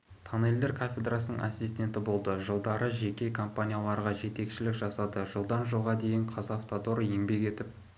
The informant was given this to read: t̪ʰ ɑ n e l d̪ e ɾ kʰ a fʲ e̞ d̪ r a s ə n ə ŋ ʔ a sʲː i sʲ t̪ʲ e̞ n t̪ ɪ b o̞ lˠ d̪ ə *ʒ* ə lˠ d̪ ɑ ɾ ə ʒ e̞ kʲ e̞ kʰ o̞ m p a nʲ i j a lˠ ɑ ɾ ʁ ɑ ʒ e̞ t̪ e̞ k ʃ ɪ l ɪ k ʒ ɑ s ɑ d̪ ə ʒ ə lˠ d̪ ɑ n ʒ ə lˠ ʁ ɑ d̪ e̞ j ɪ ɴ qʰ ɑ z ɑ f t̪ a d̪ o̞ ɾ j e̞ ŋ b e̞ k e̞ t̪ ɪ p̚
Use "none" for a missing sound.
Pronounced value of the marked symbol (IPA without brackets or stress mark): ʒ